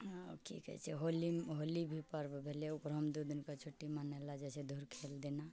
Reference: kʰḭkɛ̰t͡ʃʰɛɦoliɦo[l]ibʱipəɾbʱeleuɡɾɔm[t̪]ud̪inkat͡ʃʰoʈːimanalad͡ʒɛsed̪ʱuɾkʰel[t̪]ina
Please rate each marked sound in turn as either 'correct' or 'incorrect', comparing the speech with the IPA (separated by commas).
correct, incorrect, incorrect